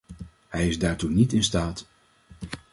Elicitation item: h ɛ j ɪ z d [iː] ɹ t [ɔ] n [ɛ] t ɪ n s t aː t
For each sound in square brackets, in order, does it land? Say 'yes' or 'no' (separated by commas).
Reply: no, no, no